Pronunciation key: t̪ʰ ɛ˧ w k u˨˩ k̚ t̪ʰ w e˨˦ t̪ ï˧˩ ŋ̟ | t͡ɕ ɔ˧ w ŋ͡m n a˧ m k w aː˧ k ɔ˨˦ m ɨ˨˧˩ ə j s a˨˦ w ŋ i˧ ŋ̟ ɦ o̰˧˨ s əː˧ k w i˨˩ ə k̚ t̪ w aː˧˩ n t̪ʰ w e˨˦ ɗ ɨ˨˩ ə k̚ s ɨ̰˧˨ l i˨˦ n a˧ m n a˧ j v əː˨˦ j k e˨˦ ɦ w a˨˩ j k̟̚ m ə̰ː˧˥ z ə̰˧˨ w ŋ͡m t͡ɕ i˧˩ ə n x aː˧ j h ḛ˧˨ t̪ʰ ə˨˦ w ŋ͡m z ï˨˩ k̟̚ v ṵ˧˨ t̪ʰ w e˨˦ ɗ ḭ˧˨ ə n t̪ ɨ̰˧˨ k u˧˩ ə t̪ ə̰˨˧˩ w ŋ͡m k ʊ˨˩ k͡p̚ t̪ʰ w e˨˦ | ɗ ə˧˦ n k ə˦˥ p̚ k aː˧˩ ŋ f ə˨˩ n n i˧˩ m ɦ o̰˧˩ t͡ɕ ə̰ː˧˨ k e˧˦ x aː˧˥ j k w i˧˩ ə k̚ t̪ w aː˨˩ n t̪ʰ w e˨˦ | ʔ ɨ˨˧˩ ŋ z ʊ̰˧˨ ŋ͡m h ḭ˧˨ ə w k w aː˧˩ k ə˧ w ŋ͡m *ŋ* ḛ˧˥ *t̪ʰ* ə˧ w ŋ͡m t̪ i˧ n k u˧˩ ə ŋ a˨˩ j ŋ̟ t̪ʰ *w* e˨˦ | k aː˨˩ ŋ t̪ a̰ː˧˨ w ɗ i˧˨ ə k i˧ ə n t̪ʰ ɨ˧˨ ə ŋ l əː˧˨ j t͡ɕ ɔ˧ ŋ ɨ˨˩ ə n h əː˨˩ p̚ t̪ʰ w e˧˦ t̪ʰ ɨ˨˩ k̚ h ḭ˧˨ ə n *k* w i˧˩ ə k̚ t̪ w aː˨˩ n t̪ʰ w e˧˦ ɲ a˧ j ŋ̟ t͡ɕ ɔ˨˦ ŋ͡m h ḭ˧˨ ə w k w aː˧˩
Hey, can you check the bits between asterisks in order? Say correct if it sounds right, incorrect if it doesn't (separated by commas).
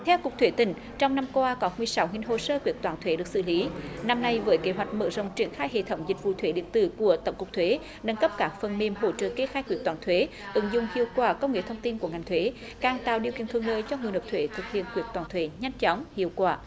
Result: correct, correct, correct, correct